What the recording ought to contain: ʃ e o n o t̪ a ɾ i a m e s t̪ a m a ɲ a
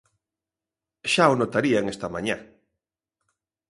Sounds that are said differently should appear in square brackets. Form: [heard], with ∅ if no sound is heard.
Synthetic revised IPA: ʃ [a] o n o t̪ a ɾ i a [ŋ] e s t̪ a m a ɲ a